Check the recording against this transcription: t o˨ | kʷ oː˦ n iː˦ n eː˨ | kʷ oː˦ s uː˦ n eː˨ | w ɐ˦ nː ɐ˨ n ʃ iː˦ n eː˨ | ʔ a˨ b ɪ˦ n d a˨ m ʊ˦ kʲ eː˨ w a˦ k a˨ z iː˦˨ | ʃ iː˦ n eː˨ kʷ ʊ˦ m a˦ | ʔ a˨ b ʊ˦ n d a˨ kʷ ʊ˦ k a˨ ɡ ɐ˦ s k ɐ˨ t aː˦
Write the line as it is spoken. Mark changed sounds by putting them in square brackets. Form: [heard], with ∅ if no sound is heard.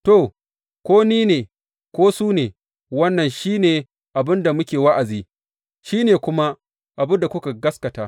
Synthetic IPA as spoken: t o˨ | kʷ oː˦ n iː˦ n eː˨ | kʷ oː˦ s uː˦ n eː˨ | w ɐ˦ nː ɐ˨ n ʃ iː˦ n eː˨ | ʔ a˨ b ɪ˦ n d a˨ m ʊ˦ kʲ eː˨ w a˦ [ʔ] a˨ z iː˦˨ | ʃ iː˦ n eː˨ kʷ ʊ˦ m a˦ | ʔ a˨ b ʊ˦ n d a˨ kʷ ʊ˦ k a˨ ɡ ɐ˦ s k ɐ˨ t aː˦